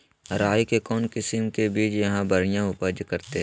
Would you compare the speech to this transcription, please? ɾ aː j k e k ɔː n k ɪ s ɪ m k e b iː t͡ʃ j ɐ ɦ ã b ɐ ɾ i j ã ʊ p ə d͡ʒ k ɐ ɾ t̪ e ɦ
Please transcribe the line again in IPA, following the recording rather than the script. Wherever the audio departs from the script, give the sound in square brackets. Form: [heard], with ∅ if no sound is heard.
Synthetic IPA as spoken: ɾ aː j k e k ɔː n k ɪ s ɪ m k e b iː t͡ʃ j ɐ ɦ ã b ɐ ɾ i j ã ʊ p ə d͡ʒ k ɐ ɾ t̪ e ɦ